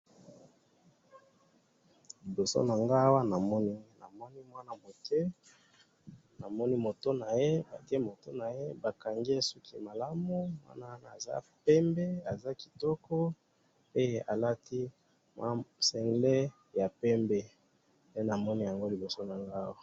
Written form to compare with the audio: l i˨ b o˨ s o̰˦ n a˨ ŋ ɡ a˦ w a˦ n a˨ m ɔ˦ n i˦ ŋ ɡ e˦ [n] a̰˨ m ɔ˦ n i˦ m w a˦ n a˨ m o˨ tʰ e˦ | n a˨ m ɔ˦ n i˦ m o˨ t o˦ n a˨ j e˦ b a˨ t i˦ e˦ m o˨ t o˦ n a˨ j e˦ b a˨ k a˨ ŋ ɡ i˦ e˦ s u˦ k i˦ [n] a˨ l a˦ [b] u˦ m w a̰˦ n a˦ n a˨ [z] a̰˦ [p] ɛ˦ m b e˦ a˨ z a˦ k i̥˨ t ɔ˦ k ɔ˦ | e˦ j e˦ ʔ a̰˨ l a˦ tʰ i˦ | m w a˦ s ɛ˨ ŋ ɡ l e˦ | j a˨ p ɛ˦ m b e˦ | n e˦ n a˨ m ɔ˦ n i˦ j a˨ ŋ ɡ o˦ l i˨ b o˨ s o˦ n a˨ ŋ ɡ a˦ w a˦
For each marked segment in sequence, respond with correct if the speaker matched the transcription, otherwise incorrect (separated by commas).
correct, incorrect, incorrect, correct, correct